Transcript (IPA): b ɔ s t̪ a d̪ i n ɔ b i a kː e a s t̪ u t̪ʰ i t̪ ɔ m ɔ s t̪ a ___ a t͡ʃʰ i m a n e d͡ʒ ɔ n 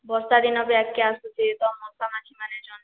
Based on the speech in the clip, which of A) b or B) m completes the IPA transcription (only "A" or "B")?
B